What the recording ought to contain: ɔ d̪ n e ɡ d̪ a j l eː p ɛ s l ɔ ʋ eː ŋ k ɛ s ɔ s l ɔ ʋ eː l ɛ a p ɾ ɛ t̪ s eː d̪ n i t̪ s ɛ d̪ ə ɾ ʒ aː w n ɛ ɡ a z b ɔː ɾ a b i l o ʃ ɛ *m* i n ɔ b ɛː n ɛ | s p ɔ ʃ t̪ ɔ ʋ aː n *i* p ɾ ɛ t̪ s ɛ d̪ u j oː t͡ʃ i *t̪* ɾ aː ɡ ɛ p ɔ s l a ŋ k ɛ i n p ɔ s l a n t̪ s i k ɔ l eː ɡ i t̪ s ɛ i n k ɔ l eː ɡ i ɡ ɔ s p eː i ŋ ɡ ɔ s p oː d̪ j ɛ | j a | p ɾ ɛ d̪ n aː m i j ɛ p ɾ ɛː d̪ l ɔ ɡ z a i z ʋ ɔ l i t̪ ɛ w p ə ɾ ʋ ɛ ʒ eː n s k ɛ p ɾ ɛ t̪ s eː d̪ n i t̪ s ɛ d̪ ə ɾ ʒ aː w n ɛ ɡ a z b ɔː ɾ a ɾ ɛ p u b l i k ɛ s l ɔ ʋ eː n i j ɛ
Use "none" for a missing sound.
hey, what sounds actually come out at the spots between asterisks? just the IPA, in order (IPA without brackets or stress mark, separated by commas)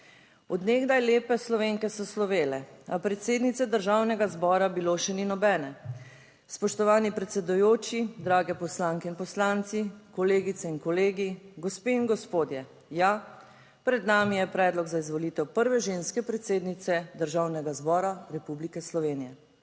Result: n, i, d̪